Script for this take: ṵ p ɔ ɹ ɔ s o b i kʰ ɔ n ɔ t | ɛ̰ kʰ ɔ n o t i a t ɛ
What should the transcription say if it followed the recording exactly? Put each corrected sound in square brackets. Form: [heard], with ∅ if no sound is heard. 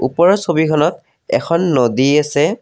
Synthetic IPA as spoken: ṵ p ɔ ɹ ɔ s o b i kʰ ɔ n ɔ t | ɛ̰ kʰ ɔ [nː] o [d] i a [s] ɛ